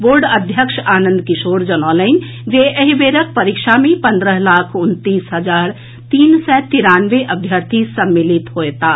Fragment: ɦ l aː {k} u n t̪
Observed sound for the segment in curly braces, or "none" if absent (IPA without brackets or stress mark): kʰ